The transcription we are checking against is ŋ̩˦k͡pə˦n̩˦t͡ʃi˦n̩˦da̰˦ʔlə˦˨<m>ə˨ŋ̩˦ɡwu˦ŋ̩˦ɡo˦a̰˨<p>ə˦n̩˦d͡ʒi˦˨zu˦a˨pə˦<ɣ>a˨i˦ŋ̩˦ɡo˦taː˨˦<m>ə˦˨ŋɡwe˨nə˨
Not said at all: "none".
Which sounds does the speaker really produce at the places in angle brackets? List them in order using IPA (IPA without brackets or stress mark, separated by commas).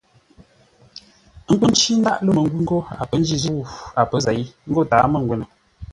m, p, z, m